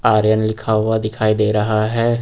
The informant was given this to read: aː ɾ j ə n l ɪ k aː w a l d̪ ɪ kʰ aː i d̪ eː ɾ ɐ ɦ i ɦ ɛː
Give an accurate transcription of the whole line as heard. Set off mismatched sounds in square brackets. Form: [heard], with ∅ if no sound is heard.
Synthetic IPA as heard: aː ɾ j ə n l ɪ [kʰ] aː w a [∅] d̪ ɪ kʰ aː i d̪ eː ɾ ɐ ɦ [a] ɦ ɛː